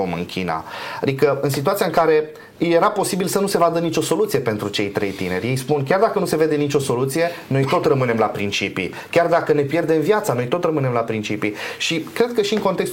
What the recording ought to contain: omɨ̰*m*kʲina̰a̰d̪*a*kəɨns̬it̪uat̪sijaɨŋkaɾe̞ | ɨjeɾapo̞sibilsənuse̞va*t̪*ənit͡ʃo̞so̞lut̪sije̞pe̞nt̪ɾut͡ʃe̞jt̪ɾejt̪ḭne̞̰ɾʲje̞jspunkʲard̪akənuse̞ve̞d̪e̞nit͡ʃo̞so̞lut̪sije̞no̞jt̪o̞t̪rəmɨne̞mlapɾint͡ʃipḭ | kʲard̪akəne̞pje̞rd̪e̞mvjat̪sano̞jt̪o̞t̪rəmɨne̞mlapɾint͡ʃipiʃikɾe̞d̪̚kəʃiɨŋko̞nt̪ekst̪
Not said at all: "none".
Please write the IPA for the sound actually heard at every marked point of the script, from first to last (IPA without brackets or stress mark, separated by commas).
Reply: ŋ, i, d̪